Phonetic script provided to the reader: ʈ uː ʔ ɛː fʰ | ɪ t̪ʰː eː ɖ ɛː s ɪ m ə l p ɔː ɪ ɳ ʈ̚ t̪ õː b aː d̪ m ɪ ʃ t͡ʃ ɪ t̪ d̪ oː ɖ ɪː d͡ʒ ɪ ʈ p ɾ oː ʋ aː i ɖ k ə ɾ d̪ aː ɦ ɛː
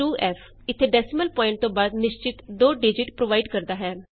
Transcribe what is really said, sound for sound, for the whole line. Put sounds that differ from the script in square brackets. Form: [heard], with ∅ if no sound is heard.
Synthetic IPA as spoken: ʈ uː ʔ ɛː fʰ | ɪ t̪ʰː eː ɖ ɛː s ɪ m ə l p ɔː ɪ ɳ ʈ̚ t̪ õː b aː d̪ [n] ɪ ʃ t͡ʃ ɪ t̪ d̪ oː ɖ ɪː d͡ʒ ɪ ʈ p ɾ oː ʋ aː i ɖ k ə ɾ d̪ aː ɦ ɛː